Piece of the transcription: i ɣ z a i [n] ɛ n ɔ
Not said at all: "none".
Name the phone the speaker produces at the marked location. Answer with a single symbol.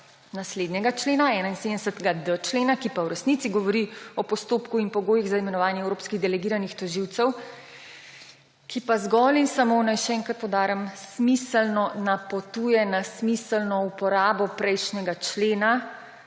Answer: m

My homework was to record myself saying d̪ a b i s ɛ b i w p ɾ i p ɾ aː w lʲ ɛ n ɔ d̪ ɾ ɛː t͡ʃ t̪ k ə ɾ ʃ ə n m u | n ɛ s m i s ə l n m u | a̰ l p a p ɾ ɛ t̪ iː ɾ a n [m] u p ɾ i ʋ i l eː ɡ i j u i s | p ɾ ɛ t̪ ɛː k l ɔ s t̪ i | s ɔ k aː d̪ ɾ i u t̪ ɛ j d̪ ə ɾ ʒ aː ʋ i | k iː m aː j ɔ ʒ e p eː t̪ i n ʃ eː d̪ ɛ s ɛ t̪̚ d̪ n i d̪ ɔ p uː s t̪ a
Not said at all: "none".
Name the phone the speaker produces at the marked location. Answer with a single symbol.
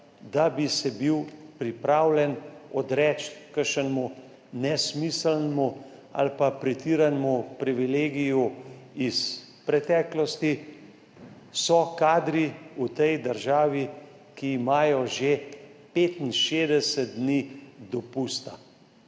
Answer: m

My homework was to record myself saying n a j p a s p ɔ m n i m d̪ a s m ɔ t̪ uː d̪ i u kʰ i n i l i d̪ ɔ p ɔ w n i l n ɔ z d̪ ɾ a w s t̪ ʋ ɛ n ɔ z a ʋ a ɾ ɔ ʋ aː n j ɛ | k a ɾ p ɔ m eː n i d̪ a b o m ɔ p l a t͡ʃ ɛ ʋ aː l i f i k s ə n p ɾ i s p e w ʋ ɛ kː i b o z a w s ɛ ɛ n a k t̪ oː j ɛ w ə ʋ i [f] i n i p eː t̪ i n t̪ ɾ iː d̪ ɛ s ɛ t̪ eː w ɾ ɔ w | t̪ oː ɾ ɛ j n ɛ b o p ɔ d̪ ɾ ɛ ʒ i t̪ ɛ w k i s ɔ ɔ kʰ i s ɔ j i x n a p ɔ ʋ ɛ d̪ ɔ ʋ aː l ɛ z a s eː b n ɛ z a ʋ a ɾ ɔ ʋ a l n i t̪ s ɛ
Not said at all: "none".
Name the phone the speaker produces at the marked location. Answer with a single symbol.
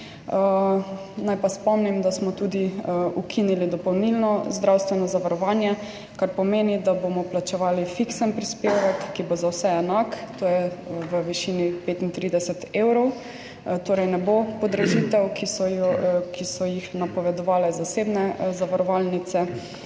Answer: ʃ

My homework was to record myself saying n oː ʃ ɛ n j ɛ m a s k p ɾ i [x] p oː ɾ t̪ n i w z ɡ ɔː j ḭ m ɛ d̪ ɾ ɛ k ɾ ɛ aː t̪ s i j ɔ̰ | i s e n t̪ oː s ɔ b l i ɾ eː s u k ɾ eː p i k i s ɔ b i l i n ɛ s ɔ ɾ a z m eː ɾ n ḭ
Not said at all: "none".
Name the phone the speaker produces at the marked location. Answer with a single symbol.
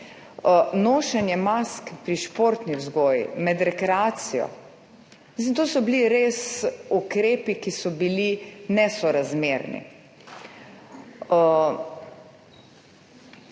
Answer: ʃ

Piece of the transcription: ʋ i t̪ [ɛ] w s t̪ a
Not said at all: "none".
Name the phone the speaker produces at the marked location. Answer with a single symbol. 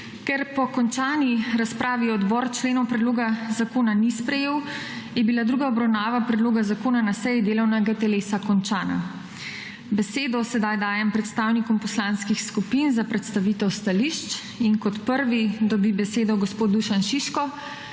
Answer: ɛ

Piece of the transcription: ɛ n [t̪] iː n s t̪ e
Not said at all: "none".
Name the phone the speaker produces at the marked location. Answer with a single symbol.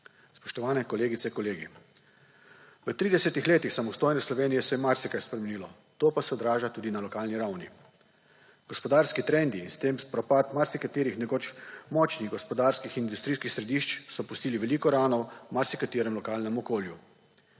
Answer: d̪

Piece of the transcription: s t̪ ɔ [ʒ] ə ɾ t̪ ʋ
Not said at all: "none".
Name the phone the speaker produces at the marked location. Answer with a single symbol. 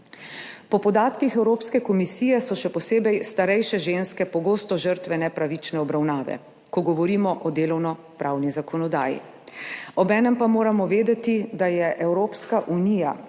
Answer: ʒ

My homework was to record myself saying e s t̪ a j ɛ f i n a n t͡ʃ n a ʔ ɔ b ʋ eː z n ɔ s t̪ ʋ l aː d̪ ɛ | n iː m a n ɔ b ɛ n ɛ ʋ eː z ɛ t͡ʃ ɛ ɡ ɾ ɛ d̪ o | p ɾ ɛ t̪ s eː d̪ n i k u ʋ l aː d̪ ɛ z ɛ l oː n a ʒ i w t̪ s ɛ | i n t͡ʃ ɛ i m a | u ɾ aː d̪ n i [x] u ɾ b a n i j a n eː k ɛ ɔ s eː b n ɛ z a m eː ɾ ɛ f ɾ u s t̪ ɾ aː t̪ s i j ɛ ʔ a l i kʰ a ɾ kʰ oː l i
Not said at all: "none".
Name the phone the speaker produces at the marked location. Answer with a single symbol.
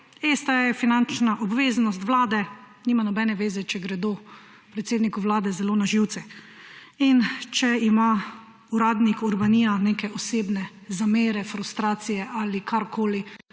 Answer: k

